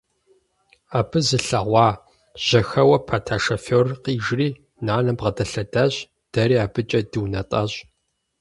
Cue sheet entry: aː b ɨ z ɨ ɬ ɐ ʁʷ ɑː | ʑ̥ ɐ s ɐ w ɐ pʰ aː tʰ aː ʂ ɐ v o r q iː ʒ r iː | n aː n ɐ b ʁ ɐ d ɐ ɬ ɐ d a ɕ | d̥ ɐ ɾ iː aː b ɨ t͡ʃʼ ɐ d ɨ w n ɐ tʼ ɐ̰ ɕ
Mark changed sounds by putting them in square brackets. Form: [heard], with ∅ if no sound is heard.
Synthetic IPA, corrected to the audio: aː b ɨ z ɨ ɬ ɐ ʁʷ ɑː | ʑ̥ ɐ [x] ɐ w ɐ pʰ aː tʰ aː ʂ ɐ [f] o r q iː ʒ r iː | n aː n ɐ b ʁ ɐ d ɐ ɬ ɐ d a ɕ | d̥ ɐ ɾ iː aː b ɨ t͡ʃʼ ɐ d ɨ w n ɐ tʼ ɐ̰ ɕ

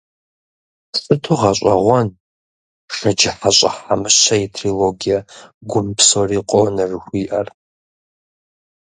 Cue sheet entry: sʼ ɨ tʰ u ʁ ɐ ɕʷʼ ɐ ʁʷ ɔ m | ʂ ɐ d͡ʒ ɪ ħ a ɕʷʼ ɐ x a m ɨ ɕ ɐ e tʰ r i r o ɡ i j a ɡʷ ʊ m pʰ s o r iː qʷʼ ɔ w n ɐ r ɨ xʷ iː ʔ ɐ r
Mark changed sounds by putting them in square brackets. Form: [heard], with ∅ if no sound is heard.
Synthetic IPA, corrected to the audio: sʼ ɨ tʰ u ʁ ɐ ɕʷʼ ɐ ʁʷ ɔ [n] | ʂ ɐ d͡ʒ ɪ ħ a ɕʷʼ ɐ [ħ] a m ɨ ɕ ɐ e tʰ r i [l] o ɡ i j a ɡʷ ʊ m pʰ s o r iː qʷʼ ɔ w n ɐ r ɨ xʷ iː ʔ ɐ r

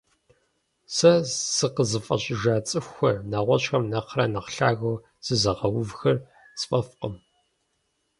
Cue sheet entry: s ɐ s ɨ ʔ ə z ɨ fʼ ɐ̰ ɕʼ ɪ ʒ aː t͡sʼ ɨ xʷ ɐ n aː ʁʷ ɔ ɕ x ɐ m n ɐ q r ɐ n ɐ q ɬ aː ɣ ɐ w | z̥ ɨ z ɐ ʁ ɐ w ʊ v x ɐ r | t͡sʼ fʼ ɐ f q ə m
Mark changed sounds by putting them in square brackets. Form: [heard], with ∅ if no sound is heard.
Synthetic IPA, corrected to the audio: s ɐ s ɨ [q] ə z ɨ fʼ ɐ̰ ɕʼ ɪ ʒ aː t͡sʼ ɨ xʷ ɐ n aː ʁʷ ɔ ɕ x ɐ m n ɐ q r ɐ n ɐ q ɬ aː ɣ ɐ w | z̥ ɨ z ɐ ʁ ɐ w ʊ v x ɐ r | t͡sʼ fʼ ɐ f q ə m

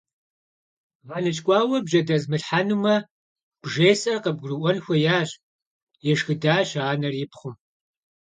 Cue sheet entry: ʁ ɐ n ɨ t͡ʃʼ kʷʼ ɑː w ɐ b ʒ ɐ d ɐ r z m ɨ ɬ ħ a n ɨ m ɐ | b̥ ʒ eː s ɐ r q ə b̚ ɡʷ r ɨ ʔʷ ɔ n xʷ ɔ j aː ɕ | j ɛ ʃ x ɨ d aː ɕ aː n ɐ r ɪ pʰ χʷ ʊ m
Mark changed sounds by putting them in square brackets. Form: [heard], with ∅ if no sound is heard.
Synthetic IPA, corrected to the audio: ʁ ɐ n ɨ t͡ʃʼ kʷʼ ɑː w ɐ b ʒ ɐ d ɐ [∅] z m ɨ ɬ ħ a n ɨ m ɐ | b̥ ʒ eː s ɐ r q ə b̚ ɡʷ r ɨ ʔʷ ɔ n xʷ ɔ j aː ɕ | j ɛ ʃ x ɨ d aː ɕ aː n ɐ r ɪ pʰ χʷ ʊ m

